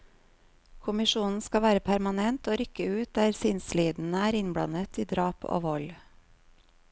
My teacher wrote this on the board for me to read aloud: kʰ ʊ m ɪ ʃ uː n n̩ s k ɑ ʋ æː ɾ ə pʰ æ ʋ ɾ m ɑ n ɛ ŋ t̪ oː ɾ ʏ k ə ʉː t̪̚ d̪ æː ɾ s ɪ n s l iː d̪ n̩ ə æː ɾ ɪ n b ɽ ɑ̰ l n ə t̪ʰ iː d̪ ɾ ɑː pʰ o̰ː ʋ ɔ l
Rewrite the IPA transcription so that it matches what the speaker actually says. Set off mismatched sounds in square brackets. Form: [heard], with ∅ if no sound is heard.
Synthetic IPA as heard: kʰ ʊ m ɪ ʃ uː n n̩ s k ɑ ʋ æː ɾ ə pʰ æ [∅] ɾ m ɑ n ɛ [n] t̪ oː ɾ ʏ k ə ʉː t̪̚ d̪ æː ɾ s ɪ n s l iː d̪ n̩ ə æː ɾ ɪ n b ɽ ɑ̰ [∅] n ə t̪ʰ iː d̪ ɾ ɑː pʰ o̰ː ʋ ɔ l